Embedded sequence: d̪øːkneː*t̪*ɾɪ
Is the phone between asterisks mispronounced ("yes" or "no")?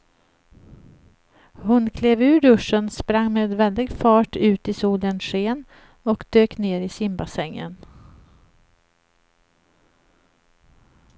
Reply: yes